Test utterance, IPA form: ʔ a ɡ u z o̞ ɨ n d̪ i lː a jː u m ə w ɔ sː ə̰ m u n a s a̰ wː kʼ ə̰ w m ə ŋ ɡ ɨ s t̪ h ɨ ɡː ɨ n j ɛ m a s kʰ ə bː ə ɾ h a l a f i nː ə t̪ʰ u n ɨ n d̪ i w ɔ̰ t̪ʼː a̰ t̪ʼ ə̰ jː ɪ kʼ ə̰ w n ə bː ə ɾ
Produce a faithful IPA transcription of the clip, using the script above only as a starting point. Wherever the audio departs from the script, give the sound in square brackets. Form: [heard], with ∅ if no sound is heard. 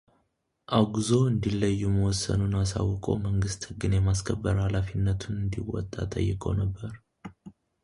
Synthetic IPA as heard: ʔ a ɡ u z o̞ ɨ n d̪ i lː [ə] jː u m ə w ɔ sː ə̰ [n] u n a s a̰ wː kʼ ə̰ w m ə ŋ ɡ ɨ s t̪ h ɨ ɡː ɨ n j ɛ m a s kʰ ə bː ə ɾ h a l a f i nː ə t̪ʰ u n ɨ n d̪ i w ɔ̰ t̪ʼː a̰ t̪ʼ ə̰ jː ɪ kʼ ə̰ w n ə bː ə ɾ